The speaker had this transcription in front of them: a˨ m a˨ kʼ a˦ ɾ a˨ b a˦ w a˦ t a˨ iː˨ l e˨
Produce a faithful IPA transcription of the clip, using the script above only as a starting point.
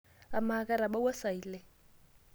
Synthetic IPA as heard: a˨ m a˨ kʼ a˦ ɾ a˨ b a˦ w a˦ s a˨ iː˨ l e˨